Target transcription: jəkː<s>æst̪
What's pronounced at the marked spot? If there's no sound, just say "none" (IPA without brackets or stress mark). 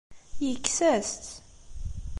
s